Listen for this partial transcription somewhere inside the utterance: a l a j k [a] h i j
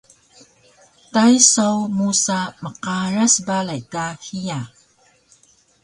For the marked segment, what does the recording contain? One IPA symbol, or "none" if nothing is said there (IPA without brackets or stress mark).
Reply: a